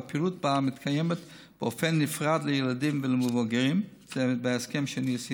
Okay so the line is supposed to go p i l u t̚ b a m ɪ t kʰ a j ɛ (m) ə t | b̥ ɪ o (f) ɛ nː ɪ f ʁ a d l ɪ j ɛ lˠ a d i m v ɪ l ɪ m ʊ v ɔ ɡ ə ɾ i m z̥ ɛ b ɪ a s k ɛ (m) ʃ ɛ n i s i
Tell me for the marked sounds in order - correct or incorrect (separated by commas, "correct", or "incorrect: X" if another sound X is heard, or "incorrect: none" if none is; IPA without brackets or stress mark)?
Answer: correct, correct, correct